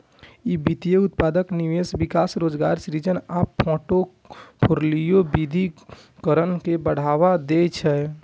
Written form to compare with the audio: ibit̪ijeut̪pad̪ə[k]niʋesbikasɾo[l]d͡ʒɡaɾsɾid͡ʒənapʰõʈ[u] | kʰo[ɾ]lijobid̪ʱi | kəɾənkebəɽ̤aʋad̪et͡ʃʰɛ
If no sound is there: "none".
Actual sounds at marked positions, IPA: k, none, o, ɾ

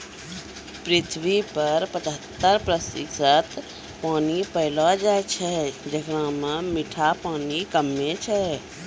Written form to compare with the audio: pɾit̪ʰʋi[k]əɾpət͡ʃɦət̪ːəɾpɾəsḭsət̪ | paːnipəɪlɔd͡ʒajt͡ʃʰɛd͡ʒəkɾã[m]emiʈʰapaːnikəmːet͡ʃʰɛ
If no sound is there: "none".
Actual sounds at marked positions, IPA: p, m

